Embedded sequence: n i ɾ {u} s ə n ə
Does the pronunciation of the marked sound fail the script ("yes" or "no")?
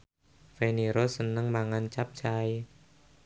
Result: yes